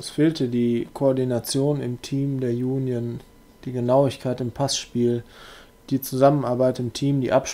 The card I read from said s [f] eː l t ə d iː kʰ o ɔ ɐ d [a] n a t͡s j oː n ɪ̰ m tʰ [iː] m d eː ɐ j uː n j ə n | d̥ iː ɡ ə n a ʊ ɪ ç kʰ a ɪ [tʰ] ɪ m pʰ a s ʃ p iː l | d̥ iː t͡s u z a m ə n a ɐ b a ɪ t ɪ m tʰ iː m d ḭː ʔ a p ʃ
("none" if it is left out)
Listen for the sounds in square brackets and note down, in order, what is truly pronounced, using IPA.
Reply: f, i, iː, t

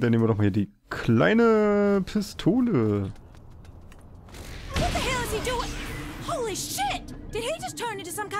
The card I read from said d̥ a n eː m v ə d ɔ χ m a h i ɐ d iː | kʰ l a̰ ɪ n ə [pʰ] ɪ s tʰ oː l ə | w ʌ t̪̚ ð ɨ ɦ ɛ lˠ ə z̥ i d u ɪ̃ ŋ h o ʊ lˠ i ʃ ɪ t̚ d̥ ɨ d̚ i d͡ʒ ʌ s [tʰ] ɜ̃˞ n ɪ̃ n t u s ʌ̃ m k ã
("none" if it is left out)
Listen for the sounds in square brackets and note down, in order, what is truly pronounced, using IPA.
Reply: pʰ, tʰ

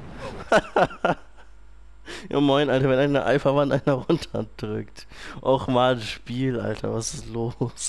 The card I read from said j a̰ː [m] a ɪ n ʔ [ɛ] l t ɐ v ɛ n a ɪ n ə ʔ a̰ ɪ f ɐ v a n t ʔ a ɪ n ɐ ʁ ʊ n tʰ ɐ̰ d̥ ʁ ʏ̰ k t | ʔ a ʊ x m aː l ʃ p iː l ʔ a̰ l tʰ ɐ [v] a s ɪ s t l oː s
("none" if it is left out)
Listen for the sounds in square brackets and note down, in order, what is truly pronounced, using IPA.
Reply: m, a, v

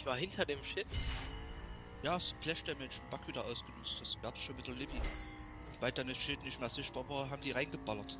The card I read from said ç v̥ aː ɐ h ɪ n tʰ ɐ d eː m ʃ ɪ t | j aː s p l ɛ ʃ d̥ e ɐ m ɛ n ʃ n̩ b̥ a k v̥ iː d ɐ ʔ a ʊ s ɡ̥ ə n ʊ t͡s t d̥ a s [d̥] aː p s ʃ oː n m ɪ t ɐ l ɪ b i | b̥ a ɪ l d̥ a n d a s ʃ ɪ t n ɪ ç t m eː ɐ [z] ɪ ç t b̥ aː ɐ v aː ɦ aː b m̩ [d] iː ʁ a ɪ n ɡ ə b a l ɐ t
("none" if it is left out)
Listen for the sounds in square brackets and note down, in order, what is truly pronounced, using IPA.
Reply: ɡ̥, z, d

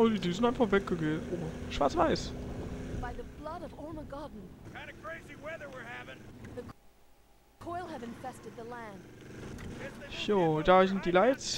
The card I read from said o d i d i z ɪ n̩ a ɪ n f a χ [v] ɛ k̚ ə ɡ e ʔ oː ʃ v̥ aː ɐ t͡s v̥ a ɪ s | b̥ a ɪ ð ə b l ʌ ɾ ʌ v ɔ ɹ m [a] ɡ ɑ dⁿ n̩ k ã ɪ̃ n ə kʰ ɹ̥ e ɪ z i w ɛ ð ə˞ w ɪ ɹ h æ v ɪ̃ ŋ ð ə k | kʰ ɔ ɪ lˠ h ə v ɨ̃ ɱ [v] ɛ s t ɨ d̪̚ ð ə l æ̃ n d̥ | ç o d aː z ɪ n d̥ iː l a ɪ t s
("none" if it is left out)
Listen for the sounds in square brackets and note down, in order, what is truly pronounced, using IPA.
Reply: v, ə, f

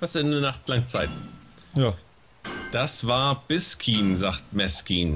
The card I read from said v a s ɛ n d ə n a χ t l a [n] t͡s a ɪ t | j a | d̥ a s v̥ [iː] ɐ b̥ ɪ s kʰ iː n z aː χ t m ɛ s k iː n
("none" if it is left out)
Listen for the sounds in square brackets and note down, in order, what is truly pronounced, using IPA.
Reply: ŋ, aː

